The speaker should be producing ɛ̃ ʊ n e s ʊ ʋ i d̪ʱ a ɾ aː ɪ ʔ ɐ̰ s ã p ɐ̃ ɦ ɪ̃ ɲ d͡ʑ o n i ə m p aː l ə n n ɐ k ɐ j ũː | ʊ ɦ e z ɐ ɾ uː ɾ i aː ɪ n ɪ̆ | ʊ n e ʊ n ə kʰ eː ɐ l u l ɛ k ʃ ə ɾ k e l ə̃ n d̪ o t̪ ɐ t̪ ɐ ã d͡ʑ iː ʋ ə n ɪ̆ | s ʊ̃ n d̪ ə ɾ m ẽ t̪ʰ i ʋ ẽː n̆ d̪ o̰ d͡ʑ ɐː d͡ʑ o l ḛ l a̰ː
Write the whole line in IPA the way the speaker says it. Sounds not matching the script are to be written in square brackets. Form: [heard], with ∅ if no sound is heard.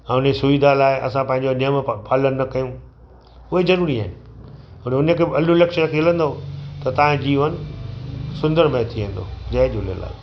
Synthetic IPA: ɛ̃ ʊ n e s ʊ ʋ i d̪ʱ a [l] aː ɪ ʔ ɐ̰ s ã p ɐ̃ ɦ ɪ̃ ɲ d͡ʑ o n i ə m p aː l ə n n ɐ k ɐ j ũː | ʊ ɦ e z ɐ ɾ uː ɾ i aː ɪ n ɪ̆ | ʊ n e ʊ n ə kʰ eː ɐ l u l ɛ k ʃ ə ɾ k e l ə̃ n d̪ o t̪ ɐ t̪ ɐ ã d͡ʑ iː ʋ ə n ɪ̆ | s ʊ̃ n d̪ ə ɾ m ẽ t̪ʰ i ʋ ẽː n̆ d̪ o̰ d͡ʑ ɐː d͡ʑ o l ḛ l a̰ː